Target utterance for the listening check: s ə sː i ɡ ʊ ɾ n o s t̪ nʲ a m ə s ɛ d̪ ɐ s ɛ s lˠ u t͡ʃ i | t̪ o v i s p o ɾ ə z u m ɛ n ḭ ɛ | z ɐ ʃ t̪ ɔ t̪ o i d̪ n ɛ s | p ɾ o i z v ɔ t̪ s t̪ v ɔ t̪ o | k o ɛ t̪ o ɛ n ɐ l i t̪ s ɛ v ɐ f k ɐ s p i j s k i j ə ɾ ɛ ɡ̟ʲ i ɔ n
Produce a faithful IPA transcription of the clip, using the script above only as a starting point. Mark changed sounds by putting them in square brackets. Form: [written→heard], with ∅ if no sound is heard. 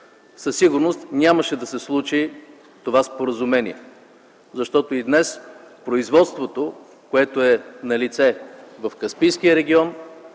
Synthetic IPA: s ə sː i ɡ ʊ ɾ n o s t̪ nʲ a m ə [s→ʃ] ɛ d̪ ɐ s ɛ s lˠ u t͡ʃ i | t̪ o v [i→a] s p o ɾ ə z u m ɛ n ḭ ɛ | z ɐ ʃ t̪ ɔ t̪ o i d̪ n ɛ s | p ɾ o i z v ɔ t̪ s t̪ v [ɔ→o] t̪ o | k o ɛ t̪ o ɛ n ɐ l i t̪ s ɛ v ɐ f k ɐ s p i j s k i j ə ɾ ɛ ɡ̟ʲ i ɔ n